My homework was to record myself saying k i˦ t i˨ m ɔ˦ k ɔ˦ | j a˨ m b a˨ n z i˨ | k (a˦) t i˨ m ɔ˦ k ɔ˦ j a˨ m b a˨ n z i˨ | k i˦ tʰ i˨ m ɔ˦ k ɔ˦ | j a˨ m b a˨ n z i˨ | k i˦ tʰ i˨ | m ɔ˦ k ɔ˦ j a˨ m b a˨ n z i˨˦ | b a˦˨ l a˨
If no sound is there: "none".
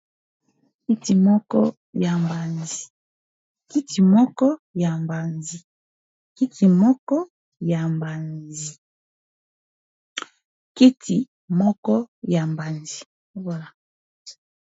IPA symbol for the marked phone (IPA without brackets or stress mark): i˦